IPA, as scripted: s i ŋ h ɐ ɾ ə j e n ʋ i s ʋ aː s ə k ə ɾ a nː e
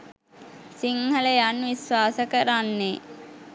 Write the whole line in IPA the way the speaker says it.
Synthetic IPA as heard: s i ŋ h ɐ l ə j a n ʋ i s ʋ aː s ə k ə ɾ a nː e